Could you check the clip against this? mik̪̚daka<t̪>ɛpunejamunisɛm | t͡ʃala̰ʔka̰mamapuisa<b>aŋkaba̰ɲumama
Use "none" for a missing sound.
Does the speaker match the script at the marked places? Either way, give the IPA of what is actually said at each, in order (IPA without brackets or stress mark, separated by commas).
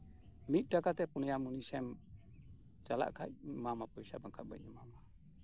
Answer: t̪, b